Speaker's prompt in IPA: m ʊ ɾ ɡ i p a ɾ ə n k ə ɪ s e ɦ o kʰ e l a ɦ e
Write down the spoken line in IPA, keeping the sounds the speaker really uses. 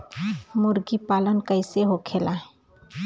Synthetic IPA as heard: m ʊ ɾ ɡ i p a l ə n k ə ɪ s e ɦ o kʰ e l a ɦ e